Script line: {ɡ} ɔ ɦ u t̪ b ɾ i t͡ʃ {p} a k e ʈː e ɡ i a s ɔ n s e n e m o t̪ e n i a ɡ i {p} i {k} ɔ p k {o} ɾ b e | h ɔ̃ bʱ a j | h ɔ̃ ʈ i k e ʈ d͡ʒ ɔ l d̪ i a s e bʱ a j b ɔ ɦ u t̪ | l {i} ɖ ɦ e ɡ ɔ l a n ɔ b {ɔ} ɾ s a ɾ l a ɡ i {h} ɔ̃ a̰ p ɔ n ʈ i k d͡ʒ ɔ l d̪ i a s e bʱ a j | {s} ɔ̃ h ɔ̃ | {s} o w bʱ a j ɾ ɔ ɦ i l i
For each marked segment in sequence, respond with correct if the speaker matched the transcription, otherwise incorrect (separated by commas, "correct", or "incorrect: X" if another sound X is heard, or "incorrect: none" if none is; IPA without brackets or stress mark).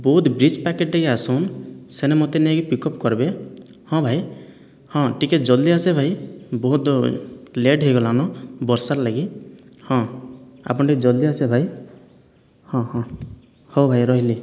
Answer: incorrect: b, correct, correct, correct, incorrect: ɔ, incorrect: e, correct, correct, incorrect: h, incorrect: h